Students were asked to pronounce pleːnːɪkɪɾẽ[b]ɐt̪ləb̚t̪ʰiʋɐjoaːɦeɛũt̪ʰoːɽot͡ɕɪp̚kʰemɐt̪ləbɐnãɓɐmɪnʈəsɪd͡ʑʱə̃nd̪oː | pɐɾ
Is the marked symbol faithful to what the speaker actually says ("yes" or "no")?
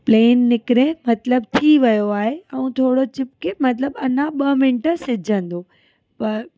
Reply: no